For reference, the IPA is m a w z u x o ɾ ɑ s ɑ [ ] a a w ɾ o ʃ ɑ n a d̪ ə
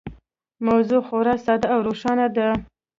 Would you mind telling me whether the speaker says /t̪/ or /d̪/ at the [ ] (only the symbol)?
d̪